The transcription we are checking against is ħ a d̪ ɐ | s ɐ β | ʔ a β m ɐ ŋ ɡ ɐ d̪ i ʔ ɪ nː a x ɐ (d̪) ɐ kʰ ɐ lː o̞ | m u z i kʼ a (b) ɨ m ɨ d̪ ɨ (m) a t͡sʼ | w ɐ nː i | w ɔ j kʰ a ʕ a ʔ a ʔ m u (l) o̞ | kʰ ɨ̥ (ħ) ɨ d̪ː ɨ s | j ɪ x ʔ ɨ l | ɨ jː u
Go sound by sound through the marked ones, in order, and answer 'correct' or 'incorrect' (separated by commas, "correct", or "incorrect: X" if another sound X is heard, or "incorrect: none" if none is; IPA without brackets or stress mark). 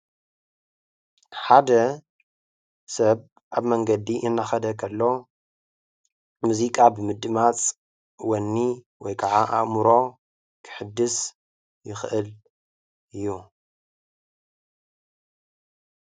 correct, correct, correct, incorrect: ɾ, correct